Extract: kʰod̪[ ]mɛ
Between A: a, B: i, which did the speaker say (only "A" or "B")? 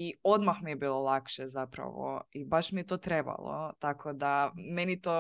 A